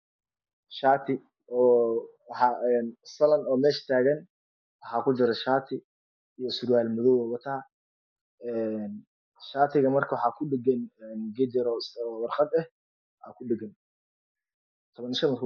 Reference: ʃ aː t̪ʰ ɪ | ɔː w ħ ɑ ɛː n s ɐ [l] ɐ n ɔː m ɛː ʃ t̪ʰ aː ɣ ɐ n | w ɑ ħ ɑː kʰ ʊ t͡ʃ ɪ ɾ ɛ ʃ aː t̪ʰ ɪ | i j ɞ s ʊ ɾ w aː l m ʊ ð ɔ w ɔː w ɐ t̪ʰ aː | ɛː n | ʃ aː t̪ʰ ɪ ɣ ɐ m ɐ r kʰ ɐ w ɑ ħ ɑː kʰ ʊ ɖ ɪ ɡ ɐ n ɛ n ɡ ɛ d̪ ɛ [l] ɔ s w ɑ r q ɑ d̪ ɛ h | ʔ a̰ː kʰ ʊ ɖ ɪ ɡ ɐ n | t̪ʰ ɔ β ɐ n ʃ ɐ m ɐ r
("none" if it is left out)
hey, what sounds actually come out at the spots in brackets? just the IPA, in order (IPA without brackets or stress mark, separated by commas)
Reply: l, ɾ